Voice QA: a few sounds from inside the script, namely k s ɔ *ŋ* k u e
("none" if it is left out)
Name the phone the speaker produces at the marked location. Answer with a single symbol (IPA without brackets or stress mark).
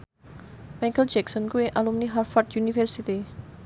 n